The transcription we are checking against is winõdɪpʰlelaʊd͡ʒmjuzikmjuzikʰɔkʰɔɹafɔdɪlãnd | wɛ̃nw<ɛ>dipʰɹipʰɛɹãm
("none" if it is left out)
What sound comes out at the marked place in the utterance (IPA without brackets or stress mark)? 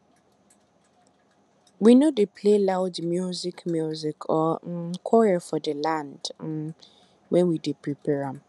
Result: i